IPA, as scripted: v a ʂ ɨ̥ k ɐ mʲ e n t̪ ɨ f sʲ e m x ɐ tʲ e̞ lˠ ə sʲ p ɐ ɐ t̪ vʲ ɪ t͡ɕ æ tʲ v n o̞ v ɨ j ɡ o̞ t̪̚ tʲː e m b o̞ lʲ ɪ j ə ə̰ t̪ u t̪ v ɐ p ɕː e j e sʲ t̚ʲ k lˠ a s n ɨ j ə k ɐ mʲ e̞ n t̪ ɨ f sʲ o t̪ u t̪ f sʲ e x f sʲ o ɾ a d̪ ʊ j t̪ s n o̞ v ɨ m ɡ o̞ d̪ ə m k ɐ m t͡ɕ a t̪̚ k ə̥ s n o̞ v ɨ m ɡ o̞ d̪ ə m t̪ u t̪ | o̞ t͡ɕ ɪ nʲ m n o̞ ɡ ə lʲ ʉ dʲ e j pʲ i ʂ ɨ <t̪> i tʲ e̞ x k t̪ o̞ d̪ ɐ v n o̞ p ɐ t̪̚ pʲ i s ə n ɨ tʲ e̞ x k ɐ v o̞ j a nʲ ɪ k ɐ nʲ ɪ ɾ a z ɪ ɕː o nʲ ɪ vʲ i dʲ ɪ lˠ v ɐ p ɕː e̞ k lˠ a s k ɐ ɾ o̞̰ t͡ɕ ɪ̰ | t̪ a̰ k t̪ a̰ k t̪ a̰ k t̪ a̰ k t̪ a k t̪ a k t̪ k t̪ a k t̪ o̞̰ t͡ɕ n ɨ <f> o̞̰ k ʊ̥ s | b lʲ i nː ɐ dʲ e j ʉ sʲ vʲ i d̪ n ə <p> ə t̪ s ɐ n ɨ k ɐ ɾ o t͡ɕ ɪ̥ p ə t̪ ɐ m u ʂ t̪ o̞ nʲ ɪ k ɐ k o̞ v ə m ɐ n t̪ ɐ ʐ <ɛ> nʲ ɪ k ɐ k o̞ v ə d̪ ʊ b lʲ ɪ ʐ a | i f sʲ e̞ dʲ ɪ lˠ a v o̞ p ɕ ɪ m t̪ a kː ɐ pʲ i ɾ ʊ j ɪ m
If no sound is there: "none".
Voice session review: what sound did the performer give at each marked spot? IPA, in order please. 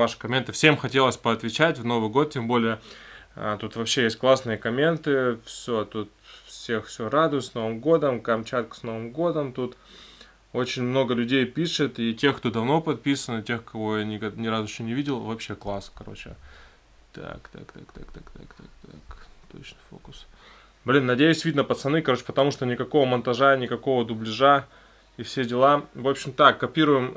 t̪, f, p, a

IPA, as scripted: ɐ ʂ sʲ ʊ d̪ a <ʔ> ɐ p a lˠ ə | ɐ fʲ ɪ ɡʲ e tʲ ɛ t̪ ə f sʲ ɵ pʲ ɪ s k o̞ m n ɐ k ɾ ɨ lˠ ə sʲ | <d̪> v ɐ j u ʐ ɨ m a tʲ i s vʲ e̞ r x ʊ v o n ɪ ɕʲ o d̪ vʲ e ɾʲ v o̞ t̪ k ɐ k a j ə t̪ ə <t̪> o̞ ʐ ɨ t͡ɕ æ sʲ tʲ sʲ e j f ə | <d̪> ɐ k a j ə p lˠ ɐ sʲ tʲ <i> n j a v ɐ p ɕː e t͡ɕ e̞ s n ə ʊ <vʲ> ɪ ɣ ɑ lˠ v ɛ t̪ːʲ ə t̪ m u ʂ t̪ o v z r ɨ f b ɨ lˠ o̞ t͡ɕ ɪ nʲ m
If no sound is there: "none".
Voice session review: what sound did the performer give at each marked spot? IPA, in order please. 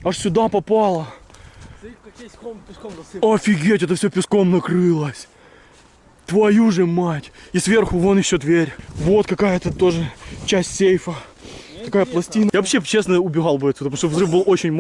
p, t̪, t̪, t̪, i, bʲ

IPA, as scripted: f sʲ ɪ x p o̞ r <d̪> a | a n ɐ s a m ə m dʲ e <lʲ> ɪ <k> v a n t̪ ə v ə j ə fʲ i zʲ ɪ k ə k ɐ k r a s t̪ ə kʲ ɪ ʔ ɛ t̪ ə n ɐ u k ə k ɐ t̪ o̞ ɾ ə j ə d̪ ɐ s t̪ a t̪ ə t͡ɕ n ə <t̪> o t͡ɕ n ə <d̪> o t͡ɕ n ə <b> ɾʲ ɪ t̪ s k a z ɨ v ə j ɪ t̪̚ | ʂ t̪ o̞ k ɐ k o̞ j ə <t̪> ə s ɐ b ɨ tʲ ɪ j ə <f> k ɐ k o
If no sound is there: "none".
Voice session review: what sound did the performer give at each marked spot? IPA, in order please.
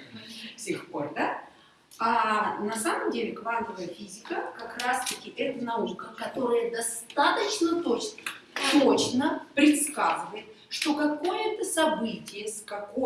d̪, lʲ, k, t̪, t̪, p, t̪, s

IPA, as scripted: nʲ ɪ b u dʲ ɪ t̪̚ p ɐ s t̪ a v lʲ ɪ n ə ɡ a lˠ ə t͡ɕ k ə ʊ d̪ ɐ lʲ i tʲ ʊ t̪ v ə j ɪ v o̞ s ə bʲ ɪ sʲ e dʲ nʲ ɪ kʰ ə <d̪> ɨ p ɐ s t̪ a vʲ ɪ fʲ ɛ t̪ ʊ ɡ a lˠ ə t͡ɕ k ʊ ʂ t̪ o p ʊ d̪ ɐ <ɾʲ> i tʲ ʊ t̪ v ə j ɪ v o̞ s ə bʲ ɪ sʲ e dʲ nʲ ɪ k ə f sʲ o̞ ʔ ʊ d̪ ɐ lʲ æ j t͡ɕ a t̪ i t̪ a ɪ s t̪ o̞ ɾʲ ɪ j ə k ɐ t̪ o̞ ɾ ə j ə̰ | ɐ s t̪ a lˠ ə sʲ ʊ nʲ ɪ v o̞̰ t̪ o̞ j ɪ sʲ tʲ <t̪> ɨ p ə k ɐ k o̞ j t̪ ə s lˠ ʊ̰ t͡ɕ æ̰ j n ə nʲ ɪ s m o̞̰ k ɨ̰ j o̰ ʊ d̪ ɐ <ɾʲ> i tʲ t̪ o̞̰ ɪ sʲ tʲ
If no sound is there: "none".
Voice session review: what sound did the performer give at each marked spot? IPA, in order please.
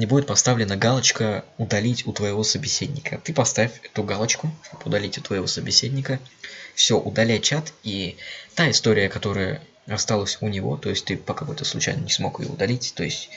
t̪, lʲ, t̪, lʲ

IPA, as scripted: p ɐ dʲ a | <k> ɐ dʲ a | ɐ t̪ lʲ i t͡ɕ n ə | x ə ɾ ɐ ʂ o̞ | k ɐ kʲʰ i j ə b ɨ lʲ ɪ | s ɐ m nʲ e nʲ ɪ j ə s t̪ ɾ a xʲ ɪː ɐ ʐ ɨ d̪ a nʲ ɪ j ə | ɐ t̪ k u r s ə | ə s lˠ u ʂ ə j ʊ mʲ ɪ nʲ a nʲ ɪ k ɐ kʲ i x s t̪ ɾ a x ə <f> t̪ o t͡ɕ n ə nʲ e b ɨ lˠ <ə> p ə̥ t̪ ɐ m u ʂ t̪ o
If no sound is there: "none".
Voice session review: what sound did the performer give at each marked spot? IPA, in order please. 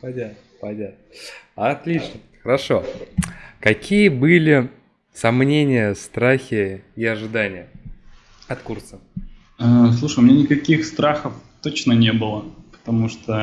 p, f, ə

